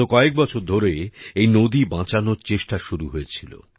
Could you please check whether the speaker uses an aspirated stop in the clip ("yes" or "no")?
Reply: yes